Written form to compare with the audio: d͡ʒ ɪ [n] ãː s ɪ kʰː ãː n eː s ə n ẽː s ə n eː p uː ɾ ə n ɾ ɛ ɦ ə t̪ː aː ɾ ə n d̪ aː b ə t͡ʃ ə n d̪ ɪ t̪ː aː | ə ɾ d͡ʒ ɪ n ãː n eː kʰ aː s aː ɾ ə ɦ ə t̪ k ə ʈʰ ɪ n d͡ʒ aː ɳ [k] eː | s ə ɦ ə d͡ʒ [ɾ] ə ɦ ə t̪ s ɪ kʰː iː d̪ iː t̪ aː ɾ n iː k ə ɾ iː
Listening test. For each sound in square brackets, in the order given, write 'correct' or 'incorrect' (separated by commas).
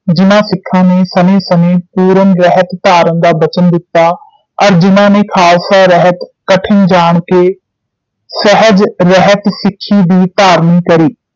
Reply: correct, correct, correct